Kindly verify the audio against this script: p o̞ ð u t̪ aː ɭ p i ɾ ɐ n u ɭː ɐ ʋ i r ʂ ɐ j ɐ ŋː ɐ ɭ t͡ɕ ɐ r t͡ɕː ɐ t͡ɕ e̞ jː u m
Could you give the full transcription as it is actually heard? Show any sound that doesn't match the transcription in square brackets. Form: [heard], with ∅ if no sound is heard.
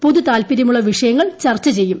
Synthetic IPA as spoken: p o̞ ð u t̪ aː [l] p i ɾ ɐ [m] u ɭː ɐ ʋ i [∅] ʂ ɐ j ɐ ŋː ɐ ɭ t͡ɕ ɐ r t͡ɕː ɐ t͡ɕ e̞ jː u m

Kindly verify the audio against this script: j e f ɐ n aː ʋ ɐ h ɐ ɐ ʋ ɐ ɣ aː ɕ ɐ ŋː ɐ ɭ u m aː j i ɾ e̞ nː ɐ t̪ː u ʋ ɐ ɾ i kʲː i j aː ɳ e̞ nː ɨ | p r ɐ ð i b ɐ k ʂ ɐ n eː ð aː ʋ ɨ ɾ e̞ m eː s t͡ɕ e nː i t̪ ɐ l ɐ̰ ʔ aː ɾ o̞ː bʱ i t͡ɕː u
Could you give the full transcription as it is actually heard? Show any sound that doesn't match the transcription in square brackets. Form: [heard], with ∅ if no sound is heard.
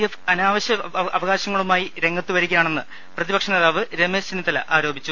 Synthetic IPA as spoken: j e f ɐ n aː ʋ ɐ [ɕ] ɐ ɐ ʋ ɐ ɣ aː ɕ ɐ ŋː ɐ ɭ u m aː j i ɾ e̞ [ŋː] ɐ t̪ː u ʋ ɐ ɾ i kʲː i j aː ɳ e̞ nː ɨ | p r ɐ ð i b ɐ k ʂ ɐ n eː ð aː ʋ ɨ ɾ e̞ m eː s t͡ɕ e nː i t̪ ɐ l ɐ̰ ʔ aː ɾ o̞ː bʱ i t͡ɕː u

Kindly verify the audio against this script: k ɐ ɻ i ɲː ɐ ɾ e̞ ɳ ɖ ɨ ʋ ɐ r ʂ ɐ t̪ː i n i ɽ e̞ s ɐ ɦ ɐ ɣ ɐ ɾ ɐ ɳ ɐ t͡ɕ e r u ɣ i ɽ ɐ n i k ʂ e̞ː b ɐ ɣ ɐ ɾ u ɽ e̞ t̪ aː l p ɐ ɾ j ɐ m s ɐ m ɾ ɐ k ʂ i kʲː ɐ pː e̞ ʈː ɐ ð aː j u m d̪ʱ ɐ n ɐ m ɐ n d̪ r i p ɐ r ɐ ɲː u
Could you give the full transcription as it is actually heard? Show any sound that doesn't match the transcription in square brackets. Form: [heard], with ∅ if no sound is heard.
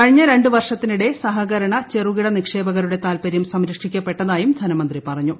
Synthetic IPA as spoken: k ɐ ɻ i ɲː ɐ ɾ e̞ ɳ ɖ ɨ ʋ ɐ r ʂ ɐ t̪ː i n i ɽ e̞ s ɐ ɦ ɐ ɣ ɐ ɾ ɐ ɳ ɐ t͡ɕ e r u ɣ i ɽ ɐ n i k ʂ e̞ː b ɐ ɣ ɐ ɾ u ɽ e̞ t̪ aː l p ɐ ɾ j ɐ m s ɐ m ɾ ɐ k ʂ i kʲː ɐ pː e̞ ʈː ɐ ð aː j u m d̪ʱ ɐ n ɐ m ɐ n d̪ r i p ɐ r ɐ ɲː u

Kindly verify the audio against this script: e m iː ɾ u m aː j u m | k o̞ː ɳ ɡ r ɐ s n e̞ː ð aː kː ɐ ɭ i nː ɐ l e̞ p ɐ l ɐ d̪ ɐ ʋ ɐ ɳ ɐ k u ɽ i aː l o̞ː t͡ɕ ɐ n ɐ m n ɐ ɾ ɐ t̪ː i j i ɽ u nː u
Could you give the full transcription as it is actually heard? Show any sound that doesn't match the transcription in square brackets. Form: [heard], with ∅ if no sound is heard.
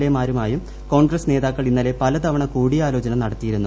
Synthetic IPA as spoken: e m [aː] ɾ u m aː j u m | k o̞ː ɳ ɡ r ɐ s n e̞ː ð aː kː ɐ ɭ i nː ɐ l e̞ p ɐ l ɐ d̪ ɐ ʋ ɐ ɳ ɐ k [uː] ɽ i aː l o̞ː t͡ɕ ɐ n ɐ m n ɐ [ɽ] ɐ t̪ː i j i [ɾ] u nː u

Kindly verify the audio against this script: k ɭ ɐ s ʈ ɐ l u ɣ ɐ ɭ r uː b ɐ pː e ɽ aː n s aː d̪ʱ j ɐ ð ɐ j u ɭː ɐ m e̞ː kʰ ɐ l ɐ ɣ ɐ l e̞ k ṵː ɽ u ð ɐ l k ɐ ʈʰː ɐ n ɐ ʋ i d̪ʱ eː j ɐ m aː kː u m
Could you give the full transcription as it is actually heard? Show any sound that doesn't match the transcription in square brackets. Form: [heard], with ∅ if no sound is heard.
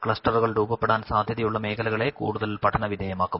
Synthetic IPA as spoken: k ɭ ɐ s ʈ ɐ [r] u ɣ ɐ ɭ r uː b ɐ pː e ɽ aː n s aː d̪ʱ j ɐ ð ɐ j u ɭː ɐ m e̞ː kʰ ɐ l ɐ ɣ ɐ [ɭ] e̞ k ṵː ɽ u ð ɐ l [p] ɐ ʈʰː ɐ n ɐ ʋ i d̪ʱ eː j ɐ m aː kː u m

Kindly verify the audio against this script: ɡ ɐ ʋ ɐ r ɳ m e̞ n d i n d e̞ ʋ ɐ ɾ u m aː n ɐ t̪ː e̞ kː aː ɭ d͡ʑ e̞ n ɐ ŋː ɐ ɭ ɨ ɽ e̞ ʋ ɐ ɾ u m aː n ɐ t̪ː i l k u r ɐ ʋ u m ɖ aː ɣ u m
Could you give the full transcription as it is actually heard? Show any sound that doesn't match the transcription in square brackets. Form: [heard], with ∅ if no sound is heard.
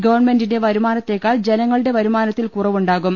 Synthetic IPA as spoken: ɡ ɐ ʋ ɐ r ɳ m e̞ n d i n d e̞ ʋ ɐ ɾ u m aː n ɐ t̪ː e̞ kː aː ɭ d͡ʑ e̞ n ɐ ŋː ɐ ɭ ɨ ɽ e̞ ʋ ɐ ɾ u m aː n ɐ t̪ː i l k u r ɐ ʋ u [ɳ] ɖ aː ɣ u m

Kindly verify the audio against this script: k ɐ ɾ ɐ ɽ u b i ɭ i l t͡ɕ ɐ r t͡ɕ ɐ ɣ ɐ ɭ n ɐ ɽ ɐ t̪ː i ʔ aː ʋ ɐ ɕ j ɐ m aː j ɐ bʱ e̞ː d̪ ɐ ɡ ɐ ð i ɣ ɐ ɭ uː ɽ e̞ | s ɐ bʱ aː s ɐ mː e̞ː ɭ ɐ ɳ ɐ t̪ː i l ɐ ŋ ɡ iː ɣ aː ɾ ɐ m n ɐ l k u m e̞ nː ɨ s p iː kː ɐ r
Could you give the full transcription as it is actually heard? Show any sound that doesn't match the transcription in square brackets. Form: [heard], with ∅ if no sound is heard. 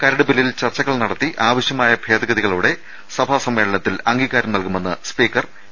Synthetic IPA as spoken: k ɐ ɾ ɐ ɽ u b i [l] i l t͡ɕ ɐ r t͡ɕ ɐ ɣ ɐ ɭ n ɐ ɽ ɐ t̪ː i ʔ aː ʋ ɐ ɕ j ɐ m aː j ɐ bʱ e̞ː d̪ ɐ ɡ ɐ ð i ɣ ɐ ɭ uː ɽ e̞ | s ɐ bʱ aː s ɐ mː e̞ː ɭ ɐ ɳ ɐ t̪ː i l ɐ ŋ ɡ iː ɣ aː ɾ ɐ m n ɐ l k u m e̞ nː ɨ s p iː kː ɐ r

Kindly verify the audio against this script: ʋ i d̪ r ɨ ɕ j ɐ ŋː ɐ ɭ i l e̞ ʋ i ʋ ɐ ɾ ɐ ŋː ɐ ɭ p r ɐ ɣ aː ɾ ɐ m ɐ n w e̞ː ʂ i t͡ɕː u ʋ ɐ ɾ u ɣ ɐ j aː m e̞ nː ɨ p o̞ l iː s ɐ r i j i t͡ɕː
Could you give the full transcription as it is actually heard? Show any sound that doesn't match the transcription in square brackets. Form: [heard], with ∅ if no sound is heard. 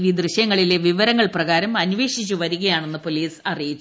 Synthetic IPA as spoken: ʋ i d̪ r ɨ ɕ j ɐ ŋː ɐ ɭ i l e̞ ʋ i ʋ ɐ ɾ ɐ ŋː ɐ ɭ p r ɐ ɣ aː ɾ ɐ m ɐ n [ʋ] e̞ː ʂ i t͡ɕː u ʋ ɐ ɾ u ɣ ɐ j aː [ɳ] e̞ nː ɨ p o̞ l iː s ɐ r i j i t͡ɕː

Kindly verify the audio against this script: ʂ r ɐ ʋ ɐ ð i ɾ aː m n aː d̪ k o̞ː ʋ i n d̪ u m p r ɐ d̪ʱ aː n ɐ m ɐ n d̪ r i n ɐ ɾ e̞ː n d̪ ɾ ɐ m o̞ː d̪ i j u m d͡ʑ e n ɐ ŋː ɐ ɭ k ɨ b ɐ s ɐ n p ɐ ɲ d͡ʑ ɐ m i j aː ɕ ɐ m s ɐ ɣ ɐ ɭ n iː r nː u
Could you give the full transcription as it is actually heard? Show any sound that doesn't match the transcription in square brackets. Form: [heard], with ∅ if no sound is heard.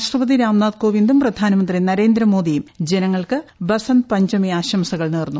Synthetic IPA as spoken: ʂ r ɐ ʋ ɐ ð i ɾ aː m n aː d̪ k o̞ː ʋ i n d̪ u m p r ɐ d̪ʱ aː n ɐ m ɐ n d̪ r i n ɐ ɾ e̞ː n d̪ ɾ ɐ m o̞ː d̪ i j u m d͡ʑ e n ɐ ŋː ɐ ɭ k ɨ b ɐ s ɐ n p ɐ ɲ d͡ʑ ɐ m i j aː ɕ ɐ m s ɐ ɣ ɐ ɭ n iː r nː u

